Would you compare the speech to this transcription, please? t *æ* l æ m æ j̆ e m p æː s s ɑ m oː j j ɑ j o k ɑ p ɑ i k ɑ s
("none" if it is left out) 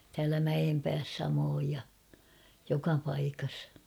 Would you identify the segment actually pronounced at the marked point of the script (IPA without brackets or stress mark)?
æː